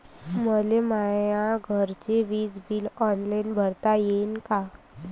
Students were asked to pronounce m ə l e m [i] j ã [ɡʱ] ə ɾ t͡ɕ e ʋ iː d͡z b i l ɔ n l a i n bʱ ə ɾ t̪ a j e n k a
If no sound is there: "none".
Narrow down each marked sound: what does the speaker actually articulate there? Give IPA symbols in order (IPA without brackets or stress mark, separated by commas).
a, ɡʱ